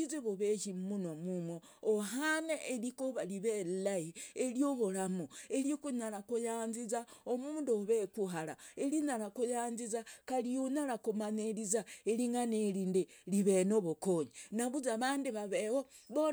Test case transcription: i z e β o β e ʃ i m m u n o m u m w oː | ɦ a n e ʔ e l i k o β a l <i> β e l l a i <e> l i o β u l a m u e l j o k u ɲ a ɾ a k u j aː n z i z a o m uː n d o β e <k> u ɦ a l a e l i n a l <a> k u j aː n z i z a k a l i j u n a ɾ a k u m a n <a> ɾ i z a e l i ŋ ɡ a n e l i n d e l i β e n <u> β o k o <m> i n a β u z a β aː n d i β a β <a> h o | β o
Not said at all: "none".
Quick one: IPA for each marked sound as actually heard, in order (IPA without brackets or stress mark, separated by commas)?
i, e, k, a, e, o, ɲ, e